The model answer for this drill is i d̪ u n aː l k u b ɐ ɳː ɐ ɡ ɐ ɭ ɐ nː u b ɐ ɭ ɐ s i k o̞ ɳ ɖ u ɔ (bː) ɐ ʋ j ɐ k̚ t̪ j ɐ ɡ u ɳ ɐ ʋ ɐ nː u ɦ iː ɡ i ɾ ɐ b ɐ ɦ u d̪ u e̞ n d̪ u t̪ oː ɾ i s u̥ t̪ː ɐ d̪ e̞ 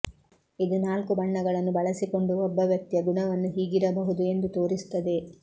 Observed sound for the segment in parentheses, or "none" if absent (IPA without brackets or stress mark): bː